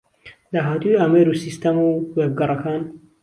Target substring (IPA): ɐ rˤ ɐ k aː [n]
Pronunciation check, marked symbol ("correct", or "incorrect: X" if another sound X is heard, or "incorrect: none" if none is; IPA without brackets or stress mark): correct